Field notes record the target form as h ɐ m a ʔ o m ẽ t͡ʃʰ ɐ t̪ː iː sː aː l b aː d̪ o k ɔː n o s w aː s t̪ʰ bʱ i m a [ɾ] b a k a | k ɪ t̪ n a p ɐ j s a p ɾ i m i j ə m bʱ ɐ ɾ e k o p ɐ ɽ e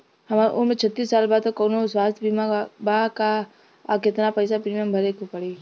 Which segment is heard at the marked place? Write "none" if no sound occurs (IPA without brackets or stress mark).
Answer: none